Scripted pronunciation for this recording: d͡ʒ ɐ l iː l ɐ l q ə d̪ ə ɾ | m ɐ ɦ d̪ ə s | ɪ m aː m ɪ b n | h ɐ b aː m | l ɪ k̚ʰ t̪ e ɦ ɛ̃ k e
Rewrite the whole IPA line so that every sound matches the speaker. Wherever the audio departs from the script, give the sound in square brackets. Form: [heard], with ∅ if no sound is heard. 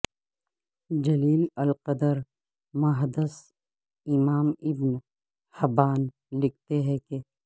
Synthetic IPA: d͡ʒ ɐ l iː l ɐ l q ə d̪ ə ɾ | m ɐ ɦ d̪ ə s | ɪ m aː m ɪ b n | h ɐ b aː [n] | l ɪ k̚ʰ t̪ e ɦ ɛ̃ k e